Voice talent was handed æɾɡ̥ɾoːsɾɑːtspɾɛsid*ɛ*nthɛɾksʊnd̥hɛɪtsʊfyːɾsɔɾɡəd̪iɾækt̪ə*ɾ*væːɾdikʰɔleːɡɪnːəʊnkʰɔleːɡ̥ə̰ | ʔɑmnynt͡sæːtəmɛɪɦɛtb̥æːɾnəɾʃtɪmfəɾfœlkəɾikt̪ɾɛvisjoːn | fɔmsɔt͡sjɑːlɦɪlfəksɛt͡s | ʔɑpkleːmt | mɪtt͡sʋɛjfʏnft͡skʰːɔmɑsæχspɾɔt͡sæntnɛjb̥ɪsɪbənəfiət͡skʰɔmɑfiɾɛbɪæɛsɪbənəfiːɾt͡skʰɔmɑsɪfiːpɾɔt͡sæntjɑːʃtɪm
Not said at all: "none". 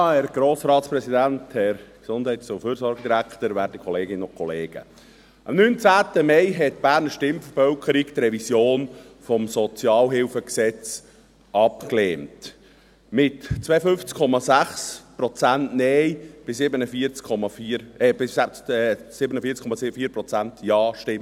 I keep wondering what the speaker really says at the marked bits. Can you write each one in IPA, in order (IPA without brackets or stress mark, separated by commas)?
æ, ɾ